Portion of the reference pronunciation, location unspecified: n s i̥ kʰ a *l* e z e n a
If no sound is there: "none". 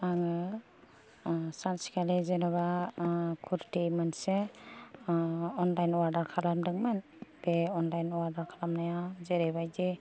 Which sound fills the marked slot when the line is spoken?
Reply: l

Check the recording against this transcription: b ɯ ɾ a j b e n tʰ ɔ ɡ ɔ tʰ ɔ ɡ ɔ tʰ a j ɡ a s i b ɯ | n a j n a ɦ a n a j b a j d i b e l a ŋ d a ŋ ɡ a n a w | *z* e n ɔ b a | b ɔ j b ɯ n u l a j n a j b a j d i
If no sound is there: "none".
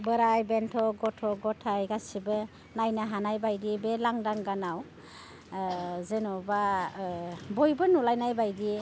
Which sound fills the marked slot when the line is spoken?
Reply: z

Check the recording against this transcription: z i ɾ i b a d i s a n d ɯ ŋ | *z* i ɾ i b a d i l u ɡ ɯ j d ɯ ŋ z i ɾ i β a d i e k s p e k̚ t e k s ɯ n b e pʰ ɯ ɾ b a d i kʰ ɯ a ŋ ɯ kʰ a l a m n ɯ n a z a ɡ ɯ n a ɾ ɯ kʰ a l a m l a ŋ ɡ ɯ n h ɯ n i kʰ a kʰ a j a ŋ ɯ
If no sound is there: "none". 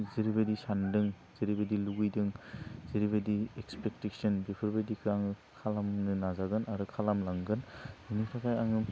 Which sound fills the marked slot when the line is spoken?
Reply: z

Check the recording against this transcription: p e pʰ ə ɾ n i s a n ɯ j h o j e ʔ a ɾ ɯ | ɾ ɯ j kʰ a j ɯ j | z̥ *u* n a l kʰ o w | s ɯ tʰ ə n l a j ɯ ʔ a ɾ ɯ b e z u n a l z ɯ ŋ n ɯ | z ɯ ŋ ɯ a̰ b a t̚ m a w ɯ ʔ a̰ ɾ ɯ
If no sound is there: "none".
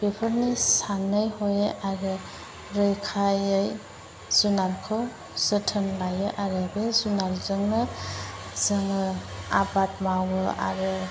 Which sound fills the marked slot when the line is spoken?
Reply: u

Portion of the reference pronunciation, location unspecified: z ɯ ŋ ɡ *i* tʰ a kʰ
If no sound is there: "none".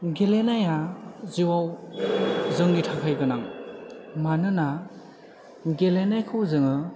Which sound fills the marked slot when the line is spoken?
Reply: i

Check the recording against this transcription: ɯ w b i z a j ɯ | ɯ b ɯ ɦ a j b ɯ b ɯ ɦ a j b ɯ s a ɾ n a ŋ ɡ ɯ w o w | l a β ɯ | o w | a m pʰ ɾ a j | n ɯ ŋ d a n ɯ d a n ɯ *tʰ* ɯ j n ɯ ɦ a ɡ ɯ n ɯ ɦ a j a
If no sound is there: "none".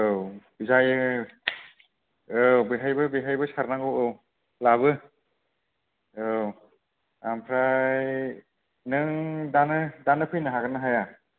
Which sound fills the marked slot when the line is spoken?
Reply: pʰ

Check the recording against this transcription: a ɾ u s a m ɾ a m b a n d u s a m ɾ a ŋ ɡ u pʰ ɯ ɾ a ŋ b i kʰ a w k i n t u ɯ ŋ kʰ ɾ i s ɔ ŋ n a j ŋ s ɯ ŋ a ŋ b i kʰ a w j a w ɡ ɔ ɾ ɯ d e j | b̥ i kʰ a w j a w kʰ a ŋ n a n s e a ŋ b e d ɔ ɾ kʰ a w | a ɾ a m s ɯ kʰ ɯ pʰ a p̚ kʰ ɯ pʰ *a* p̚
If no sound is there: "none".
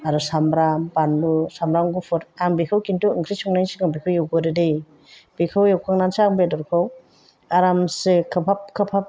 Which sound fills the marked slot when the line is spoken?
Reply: a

